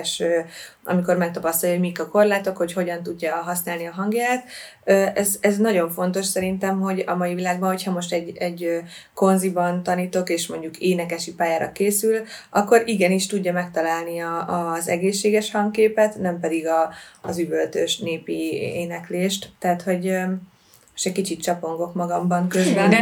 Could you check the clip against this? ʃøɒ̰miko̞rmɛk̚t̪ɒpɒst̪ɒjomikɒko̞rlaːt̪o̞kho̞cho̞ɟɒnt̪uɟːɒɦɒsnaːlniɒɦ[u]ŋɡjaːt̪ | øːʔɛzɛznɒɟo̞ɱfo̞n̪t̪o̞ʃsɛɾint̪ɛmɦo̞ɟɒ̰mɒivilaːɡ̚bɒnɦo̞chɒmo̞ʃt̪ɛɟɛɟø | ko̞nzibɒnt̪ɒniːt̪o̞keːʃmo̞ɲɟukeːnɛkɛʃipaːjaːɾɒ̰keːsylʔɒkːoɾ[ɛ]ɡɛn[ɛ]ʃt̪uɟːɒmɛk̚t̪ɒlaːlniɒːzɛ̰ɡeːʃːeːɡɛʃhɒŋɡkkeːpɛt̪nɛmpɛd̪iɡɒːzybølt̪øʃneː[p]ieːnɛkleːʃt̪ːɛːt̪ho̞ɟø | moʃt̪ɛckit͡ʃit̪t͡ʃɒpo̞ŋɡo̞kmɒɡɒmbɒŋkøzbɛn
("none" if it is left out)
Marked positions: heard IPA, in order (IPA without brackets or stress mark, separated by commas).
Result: ɒ, i, i, p